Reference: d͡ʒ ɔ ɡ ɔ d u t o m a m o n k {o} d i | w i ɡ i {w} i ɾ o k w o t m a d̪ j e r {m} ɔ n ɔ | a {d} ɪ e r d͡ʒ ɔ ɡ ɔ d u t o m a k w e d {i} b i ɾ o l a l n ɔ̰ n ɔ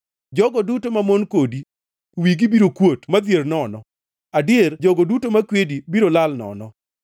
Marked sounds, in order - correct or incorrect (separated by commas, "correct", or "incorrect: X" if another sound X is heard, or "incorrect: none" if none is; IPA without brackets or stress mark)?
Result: correct, incorrect: b, incorrect: n, correct, correct